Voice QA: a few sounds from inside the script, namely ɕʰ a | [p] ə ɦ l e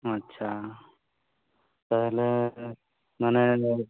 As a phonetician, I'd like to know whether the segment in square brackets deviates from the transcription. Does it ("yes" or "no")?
no